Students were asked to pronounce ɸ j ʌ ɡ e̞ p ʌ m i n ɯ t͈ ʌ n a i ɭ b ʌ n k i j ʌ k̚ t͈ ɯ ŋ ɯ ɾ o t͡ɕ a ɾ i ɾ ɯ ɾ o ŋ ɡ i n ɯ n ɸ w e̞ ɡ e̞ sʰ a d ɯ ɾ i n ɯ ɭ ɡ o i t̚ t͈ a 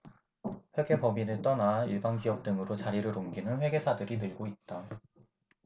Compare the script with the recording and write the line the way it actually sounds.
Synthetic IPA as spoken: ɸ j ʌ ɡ e̞ p ʌ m i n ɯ t͈ ʌ n a i ɭ b a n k i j ʌ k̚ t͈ ɯ ŋ ɯ ɾ o t͡ɕ a ɾ i ɾ ɯ ɾ o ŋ ɡ i n ɯ n ɸ w e̞ ɡ e̞ sʰ a d ɯ ɾ i n ɯ ɭ ɡ o i t̚ t͈ a